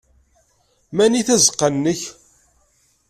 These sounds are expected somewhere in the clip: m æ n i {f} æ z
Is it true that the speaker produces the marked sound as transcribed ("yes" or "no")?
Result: no